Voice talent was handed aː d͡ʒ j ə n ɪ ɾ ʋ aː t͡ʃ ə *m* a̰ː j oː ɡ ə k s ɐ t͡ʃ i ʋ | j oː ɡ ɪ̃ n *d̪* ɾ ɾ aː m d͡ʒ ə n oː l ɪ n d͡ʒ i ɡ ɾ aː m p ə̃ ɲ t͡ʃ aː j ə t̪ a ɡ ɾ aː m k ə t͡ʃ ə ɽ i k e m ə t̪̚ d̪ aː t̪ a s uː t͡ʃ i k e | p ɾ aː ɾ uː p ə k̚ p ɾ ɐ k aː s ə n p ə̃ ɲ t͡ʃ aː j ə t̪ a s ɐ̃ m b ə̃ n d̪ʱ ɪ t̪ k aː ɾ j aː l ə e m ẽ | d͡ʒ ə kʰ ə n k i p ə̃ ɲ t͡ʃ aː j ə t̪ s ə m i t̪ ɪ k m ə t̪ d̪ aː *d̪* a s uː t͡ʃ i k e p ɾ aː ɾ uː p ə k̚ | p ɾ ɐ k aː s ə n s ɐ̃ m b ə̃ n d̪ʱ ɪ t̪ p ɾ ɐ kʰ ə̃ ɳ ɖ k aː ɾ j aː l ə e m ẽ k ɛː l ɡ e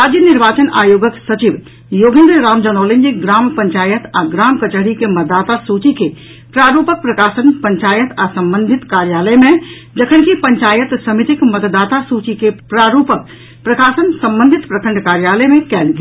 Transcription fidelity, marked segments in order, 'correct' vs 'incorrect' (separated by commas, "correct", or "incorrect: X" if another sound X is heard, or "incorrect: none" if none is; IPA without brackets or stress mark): incorrect: n, correct, incorrect: t̪